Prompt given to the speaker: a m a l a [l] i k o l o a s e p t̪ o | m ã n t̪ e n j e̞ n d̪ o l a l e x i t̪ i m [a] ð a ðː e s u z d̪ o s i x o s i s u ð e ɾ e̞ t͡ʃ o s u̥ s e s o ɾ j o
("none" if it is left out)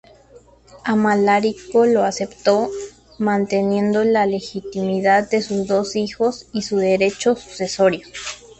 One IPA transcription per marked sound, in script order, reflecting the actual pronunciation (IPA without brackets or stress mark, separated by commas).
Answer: ɾ, i